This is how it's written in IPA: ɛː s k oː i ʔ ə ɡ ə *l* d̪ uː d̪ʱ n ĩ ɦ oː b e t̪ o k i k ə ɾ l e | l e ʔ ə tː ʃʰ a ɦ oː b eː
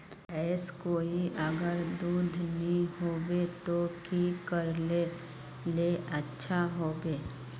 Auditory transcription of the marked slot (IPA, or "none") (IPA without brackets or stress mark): ɾ